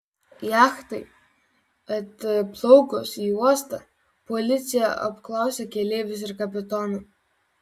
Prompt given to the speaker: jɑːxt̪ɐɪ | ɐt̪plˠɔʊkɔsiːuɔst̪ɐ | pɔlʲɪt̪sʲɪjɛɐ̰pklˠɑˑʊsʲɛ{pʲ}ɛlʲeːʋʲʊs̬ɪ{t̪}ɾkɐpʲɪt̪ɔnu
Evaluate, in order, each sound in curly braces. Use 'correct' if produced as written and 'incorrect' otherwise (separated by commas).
incorrect, incorrect